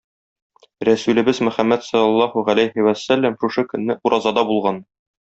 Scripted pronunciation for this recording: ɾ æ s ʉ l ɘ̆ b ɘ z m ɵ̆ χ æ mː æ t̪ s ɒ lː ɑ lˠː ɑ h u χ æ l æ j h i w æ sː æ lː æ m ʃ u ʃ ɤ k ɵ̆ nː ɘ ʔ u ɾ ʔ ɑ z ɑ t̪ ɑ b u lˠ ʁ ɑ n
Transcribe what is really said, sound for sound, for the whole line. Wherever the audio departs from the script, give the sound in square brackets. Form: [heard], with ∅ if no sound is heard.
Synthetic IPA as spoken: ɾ æ s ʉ l ɘ̆ b ɘ z m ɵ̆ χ æ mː æ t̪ s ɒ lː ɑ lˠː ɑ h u [ʁ] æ l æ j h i w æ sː æ lː æ m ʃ u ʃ ɤ k ɵ̆ nː ɘ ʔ u ɾ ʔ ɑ z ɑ [d̪] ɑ b u lˠ ʁ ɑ n